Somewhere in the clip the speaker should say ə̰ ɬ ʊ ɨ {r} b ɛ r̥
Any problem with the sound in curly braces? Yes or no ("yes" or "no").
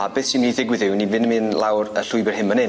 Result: yes